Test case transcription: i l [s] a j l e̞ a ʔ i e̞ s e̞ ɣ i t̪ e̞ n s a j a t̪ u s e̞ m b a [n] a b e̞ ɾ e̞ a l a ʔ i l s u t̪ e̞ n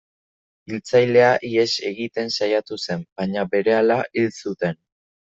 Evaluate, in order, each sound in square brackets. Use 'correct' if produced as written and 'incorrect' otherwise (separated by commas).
incorrect, incorrect